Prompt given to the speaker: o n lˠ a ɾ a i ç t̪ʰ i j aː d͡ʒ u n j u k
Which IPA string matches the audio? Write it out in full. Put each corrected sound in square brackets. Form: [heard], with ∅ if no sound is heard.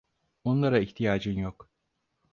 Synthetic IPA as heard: o n lˠ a ɾ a i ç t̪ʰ i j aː d͡ʒ [ɯ] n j [o] k